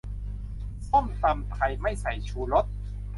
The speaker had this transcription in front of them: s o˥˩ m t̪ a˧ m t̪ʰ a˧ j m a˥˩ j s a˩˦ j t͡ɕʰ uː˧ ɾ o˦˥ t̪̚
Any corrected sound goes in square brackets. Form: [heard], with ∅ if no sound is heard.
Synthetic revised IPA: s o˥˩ m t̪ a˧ m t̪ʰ a˧ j m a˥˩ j s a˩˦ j t͡ɕʰ uː˧ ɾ o˦˥ t̪̚

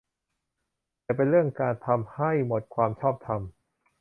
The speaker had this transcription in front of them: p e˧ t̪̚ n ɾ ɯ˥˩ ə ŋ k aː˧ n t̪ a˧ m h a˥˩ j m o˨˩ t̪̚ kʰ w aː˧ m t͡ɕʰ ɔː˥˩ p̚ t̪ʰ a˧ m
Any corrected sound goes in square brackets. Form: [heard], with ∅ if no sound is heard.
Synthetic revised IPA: p e˧ [∅] n ɾ ɯ˥˩ ə ŋ k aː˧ n [t̪ʰ] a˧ m h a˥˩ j m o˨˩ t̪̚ kʰ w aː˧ m t͡ɕʰ ɔː˥˩ p̚ t̪ʰ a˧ m

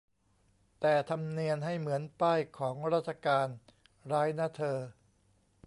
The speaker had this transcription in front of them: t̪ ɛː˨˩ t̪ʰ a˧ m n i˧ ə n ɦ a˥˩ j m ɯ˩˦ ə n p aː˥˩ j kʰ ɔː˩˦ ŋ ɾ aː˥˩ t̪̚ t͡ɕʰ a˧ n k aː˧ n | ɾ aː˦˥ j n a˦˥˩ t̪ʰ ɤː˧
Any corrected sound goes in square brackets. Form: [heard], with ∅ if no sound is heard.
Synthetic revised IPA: t̪ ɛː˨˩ t̪ʰ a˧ m n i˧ ə n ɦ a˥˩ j m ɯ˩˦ ə n p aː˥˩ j kʰ ɔː˩˦ ŋ ɾ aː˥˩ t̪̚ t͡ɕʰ a˧ [∅] k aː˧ n | ɾ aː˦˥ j n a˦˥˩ t̪ʰ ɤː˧

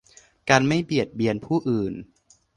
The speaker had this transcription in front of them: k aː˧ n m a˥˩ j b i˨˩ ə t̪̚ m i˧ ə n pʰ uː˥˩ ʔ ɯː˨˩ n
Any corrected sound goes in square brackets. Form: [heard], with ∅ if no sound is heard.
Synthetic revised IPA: k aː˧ n m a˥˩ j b i˨˩ ə t̪̚ [b] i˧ ə n pʰ uː˥˩ ʔ ɯː˨˩ n

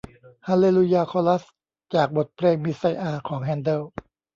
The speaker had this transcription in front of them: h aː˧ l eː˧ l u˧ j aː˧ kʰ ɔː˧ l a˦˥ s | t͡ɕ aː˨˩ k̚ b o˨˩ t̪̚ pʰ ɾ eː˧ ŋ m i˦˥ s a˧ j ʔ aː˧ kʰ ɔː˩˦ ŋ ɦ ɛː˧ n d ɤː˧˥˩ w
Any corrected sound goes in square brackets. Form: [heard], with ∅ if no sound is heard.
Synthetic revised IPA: h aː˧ l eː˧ l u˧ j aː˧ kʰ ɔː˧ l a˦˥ s | t͡ɕ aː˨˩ k̚ b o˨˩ t̪̚ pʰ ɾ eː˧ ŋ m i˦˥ s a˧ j ʔ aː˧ kʰ ɔː˩˦ ŋ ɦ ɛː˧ n d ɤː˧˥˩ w

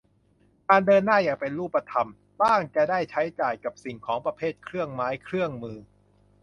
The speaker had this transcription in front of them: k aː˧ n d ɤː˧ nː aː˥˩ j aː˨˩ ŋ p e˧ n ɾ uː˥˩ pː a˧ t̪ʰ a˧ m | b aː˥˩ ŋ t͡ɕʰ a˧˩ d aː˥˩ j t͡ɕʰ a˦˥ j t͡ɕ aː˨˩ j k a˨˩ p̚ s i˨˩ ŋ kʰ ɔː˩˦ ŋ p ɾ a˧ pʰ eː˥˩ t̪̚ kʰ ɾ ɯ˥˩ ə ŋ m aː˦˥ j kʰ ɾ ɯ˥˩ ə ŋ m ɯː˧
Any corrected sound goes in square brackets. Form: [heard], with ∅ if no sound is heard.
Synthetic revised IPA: k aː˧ n d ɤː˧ nː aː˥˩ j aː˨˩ ŋ p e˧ n ɾ uː˥˩ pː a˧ t̪ʰ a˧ m | b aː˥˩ ŋ [t͡ɕ] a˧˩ d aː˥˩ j t͡ɕʰ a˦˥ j t͡ɕ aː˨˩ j k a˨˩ p̚ s i˨˩ ŋ kʰ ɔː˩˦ ŋ p ɾ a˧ pʰ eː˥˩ t̪̚ kʰ ɾ ɯ˥˩ ə ŋ m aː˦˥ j kʰ ɾ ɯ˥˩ ə ŋ m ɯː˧

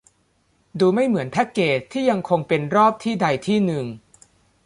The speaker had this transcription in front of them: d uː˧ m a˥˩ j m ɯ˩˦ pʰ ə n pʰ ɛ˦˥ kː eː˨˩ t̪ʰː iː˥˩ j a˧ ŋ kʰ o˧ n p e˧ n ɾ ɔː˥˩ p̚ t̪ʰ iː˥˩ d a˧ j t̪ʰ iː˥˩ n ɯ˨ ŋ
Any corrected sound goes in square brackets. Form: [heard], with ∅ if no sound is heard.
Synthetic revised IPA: d uː˧ m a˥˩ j m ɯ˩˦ [∅] ə n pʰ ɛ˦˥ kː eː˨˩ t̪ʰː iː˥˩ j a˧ ŋ kʰ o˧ [ŋ] p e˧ n ɾ ɔː˥˩ p̚ t̪ʰ iː˥˩ d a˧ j t̪ʰ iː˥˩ n ɯ˨ ŋ

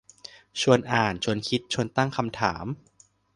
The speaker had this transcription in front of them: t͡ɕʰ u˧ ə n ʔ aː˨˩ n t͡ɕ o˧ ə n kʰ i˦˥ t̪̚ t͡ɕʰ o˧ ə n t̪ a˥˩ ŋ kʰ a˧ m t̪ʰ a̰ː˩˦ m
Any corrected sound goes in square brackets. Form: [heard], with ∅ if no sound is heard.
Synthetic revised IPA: t͡ɕʰ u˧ ə n ʔ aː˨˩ n [t͡ɕʰ] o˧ ə n kʰ i˦˥ t̪̚ t͡ɕʰ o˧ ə n t̪ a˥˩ ŋ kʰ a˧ m t̪ʰ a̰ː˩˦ m

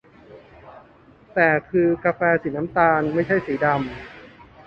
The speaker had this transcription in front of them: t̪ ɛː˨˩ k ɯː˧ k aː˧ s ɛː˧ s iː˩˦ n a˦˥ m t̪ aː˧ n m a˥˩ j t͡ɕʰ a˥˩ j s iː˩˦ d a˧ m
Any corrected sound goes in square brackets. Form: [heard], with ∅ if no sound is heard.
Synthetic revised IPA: t̪ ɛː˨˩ [kʰ] ɯː˧ k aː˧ [f] ɛː˧ s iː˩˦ n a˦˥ m t̪ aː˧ n m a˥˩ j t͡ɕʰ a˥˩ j s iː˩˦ d a˧ m

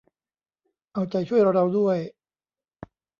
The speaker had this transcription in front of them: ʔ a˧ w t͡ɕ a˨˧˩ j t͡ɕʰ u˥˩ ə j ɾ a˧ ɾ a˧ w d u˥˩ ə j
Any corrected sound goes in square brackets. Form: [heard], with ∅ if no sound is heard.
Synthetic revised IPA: ʔ a˧ w t͡ɕ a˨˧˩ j t͡ɕʰ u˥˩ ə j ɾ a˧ ɾ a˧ w d u˥˩ ə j

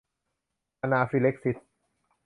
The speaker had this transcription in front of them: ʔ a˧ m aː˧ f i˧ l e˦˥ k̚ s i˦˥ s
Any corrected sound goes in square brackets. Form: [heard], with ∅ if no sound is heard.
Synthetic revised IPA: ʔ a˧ [n] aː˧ f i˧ l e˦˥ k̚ s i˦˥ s

